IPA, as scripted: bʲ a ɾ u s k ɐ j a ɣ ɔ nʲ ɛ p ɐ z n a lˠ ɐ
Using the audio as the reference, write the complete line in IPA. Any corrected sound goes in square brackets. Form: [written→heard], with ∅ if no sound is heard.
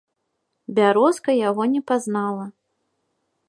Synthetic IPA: bʲ a ɾ [u→ɔ] s k ɐ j a ɣ ɔ nʲ ɛ p [ɐ→a] z n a lˠ ɐ